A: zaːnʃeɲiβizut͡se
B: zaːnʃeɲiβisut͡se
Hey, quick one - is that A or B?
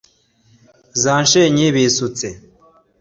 B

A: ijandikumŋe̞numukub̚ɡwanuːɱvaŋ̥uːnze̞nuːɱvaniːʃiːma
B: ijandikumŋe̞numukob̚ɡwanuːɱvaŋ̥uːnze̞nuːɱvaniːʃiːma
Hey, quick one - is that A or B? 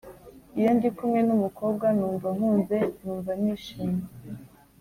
B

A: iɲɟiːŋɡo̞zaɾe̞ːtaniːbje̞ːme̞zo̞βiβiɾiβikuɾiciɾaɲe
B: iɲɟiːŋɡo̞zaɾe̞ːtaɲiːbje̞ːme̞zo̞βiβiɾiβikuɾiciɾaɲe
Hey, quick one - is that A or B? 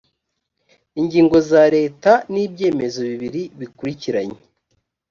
A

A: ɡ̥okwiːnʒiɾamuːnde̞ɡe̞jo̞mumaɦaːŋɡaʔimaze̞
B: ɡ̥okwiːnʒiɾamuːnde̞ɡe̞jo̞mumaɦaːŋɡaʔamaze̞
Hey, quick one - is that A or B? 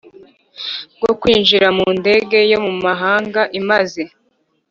A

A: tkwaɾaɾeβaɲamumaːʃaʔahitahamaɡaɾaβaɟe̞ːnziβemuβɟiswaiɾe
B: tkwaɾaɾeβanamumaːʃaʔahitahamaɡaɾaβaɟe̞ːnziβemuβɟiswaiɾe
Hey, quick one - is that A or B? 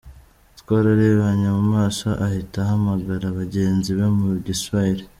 A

